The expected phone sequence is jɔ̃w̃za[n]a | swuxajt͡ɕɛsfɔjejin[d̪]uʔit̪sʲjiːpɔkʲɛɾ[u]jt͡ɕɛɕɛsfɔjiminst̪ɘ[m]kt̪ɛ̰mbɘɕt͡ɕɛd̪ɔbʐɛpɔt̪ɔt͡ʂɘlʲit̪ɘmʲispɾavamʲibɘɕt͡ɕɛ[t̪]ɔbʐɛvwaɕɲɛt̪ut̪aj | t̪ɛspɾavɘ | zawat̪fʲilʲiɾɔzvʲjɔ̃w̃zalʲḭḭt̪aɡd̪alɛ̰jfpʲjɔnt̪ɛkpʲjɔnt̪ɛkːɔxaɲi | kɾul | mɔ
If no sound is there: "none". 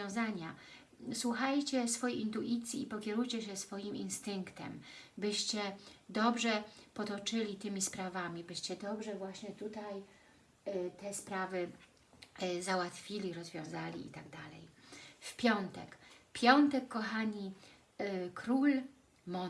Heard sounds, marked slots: ɲ, t̪, u, ŋ, d̪

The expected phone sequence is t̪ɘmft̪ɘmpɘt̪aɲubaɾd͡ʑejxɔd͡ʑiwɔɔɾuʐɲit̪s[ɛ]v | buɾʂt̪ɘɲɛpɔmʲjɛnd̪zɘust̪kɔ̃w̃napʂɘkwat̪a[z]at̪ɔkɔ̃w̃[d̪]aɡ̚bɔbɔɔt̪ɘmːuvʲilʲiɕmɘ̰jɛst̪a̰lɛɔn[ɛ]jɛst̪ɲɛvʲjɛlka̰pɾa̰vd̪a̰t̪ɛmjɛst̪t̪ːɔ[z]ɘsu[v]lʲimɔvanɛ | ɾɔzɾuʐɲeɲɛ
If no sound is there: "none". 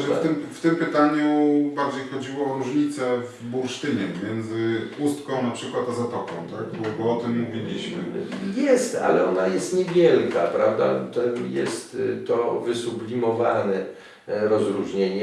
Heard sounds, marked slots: ɛ, z, t̪, a, v, b

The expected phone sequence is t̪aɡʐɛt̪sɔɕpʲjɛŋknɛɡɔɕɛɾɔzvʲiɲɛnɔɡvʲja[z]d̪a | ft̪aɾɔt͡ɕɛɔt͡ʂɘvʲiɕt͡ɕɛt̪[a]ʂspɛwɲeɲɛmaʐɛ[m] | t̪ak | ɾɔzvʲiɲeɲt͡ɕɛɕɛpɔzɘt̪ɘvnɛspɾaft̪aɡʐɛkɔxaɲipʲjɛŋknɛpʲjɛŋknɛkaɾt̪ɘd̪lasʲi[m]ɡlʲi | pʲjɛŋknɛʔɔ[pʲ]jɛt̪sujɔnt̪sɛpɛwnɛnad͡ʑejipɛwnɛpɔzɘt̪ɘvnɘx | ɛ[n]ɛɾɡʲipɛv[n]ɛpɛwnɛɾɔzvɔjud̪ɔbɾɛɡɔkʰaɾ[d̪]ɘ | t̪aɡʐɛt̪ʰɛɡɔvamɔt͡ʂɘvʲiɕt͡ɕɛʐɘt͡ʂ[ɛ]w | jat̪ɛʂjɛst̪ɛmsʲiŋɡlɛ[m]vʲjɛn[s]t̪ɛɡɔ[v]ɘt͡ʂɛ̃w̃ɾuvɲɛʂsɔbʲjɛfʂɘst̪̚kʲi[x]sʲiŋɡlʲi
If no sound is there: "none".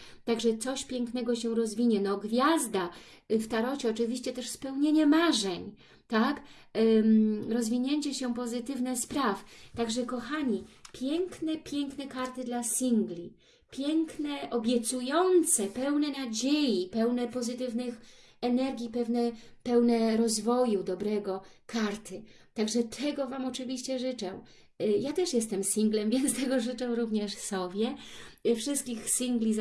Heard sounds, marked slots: z, ɛ, ɲ, ŋ, bʲ, n, n, t̪, ɛ, m, s, ʐ, x

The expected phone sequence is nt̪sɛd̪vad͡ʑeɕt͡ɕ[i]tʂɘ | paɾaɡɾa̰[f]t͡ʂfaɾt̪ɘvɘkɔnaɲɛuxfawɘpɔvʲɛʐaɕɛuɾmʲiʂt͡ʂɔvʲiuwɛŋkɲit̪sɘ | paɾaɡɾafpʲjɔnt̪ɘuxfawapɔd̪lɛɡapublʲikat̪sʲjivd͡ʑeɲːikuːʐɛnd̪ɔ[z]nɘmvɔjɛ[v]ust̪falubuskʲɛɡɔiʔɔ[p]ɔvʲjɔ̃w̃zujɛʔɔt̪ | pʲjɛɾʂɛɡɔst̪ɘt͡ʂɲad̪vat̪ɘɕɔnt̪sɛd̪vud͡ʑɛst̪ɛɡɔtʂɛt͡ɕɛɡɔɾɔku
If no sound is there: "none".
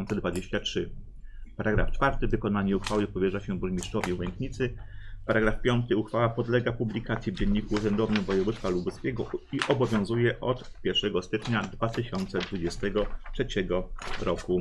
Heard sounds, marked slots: a, f, v, v, b

